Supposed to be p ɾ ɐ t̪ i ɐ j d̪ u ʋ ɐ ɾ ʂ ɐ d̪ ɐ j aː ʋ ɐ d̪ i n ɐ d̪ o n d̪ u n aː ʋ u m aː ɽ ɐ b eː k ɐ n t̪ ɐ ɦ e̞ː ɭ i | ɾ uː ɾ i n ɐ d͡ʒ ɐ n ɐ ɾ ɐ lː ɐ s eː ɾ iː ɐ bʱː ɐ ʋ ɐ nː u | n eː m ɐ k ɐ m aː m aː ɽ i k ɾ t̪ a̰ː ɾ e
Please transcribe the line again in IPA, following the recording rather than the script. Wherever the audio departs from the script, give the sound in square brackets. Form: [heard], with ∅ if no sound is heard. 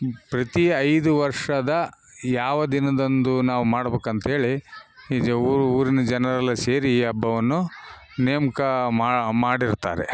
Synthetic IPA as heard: p ɾ ɐ t̪ i ɐ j d̪ u ʋ ɐ ɾ ʂ ɐ d̪ ɐ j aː ʋ ɐ d̪ i n ɐ d̪ o n d̪ u n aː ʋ u m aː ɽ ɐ b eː k ɐ n t̪ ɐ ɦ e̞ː ɭ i | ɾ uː ɾ i n ɐ d͡ʒ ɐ n ɐ ɾ ɐ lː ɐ s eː ɾ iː ɐ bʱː ɐ ʋ ɐ nː u | n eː m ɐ k ɐ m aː m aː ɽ i [∅] ɾ t̪ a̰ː ɾ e

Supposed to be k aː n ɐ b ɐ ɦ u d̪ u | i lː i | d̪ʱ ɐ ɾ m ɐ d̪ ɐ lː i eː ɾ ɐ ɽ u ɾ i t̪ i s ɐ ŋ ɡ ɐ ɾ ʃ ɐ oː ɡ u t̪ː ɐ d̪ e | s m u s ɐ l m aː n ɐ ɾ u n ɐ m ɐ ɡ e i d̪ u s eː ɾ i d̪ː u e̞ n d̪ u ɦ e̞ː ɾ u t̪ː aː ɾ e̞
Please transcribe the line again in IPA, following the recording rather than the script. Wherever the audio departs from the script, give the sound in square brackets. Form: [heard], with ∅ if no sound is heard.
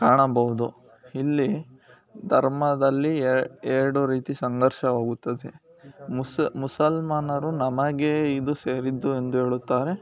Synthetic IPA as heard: k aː [ɳ] ɐ b ɐ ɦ u d̪ u | i lː i | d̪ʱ ɐ ɾ m ɐ d̪ ɐ lː i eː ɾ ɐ ɽ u ɾ [iː] t̪ i s ɐ ŋ ɡ ɐ ɾ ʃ ɐ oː ɡ u t̪ː ɐ d̪ e | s m u s ɐ l m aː n ɐ ɾ u n ɐ m ɐ ɡ e i d̪ u s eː ɾ i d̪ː u e̞ n d̪ u ɦ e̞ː [ɭ] u t̪ː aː ɾ e̞

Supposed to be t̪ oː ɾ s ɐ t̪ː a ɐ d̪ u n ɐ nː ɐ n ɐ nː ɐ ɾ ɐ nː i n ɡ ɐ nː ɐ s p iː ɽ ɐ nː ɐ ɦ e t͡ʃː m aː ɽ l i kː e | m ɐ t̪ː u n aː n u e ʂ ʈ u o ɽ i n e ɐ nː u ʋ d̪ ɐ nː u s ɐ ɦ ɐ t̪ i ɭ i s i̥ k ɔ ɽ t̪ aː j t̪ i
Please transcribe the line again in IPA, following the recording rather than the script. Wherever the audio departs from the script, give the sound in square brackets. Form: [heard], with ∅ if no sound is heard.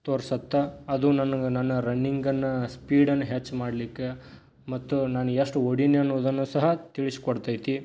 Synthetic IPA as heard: t̪ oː ɾ s ɐ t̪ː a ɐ d̪ u n ɐ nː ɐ n ɐ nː ɐ ɾ ɐ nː i [ŋ] ɡ ɐ nː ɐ s p iː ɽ ɐ nː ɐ ɦ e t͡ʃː m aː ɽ l i kː e | m ɐ t̪ː u n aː n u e ʂ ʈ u o ɽ i n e ɐ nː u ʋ d̪ ɐ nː u s ɐ ɦ ɐ t̪ i ɭ i s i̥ k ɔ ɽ t̪ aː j t̪ i

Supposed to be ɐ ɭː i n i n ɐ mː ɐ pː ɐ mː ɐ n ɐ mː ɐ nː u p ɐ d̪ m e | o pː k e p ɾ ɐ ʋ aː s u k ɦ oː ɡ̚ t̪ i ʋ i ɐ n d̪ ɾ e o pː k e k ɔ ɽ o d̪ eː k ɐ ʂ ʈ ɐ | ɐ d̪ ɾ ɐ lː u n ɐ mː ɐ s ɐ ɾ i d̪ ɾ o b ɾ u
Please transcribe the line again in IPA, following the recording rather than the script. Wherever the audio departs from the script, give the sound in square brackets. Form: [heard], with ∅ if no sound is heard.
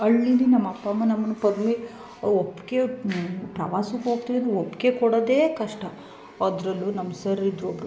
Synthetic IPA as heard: ɐ ɭː i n i n ɐ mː ɐ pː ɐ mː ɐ n ɐ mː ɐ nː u p ɐ d̪ m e | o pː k e p ɾ ɐ ʋ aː s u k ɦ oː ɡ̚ t̪ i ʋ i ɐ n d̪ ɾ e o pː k e k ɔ ɽ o d̪ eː k ɐ ʂ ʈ ɐ | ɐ d̪ ɾ ɐ lː u n ɐ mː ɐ s ɐ ɾ i d̪ ɾ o b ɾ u

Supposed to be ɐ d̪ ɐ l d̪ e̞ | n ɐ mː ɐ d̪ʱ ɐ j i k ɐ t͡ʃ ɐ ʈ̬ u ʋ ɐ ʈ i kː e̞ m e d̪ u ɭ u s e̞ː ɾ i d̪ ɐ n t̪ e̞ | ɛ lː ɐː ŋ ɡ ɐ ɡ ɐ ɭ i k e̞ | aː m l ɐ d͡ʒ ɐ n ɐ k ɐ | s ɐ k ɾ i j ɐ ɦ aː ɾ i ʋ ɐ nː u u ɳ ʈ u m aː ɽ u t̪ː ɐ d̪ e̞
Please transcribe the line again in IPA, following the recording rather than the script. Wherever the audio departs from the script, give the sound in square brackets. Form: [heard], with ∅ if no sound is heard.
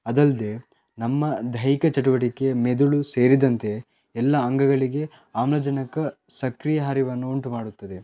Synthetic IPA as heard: ɐ d̪ ɐ l d̪ e̞ | n ɐ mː ɐ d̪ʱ ɐ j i k ɐ t͡ʃ ɐ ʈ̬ u ʋ ɐ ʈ i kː e̞ m e d̪ u ɭ u s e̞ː ɾ i d̪ ɐ n t̪ e̞ | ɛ lː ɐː ŋ ɡ ɐ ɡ ɐ ɭ i [ɡ] e̞ | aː m l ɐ d͡ʒ ɐ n ɐ k ɐ | s ɐ k ɾ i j ɐ ɦ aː ɾ i ʋ ɐ nː u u ɳ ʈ u m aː ɽ u t̪ː ɐ d̪ e̞

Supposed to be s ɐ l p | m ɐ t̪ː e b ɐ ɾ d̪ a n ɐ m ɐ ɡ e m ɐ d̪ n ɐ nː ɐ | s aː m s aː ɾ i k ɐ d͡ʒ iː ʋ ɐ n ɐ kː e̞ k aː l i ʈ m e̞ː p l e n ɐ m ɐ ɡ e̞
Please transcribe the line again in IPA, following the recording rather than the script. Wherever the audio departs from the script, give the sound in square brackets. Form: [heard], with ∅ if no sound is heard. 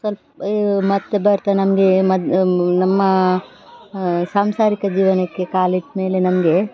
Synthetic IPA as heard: s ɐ l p | m ɐ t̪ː e b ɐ ɾ [t̪] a n ɐ m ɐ ɡ e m ɐ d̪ n ɐ [mː] ɐ | s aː m s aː ɾ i k ɐ d͡ʒ iː ʋ ɐ n ɐ kː e̞ k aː l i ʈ m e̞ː [∅] l e n ɐ m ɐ ɡ e̞

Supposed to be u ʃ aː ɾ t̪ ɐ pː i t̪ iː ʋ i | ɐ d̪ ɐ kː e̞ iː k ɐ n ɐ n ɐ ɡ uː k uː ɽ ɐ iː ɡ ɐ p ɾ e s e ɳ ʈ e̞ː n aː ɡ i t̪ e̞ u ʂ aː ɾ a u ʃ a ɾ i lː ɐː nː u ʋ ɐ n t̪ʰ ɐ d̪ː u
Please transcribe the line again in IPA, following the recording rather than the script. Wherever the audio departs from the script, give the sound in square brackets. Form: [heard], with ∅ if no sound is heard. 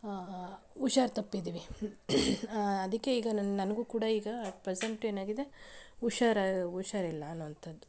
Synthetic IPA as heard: u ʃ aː ɾ t̪ ɐ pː i [d̪] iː ʋ i | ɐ d̪ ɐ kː e̞ iː [ɡ] ɐ n ɐ n ɐ ɡ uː k uː ɽ ɐ iː ɡ ɐ p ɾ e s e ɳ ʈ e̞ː n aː ɡ i [d̪] e̞ u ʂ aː ɾ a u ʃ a ɾ i lː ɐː nː u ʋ ɐ n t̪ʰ ɐ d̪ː u

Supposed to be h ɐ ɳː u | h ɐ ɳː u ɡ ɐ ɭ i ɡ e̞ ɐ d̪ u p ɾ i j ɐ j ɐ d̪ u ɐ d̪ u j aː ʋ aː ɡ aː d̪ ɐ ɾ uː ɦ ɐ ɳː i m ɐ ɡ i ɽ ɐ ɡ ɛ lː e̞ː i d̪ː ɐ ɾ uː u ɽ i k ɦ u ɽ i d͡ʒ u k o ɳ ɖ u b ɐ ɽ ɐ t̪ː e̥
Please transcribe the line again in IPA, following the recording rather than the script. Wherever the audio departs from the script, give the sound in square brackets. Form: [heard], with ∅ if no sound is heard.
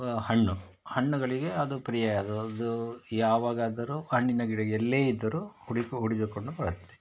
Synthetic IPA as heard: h ɐ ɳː u | h ɐ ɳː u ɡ ɐ ɭ i ɡ e̞ ɐ d̪ u p ɾ i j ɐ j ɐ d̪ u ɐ d̪ u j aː ʋ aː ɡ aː d̪ ɐ ɾ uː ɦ ɐ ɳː i [n] ɐ ɡ i ɽ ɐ ɡ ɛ lː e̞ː i d̪ː ɐ ɾ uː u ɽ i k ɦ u ɽ i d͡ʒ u k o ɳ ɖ u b ɐ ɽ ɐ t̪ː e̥

